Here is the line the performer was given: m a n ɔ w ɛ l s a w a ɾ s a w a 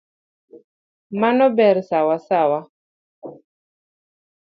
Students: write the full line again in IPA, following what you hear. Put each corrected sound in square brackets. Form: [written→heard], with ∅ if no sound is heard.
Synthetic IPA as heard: m a n ɔ [w→b] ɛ [l→ɾ] s a w a [ɾ→∅] s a w a